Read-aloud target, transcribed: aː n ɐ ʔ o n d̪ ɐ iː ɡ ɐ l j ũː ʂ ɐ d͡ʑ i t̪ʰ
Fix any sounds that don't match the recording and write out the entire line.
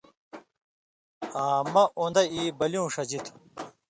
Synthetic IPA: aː m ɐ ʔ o n d̪ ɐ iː b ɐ l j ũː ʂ ɐ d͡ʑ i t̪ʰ